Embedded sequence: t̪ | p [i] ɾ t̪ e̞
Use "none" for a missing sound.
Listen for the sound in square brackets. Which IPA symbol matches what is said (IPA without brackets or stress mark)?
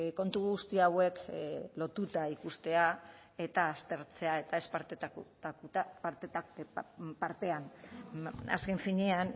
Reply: a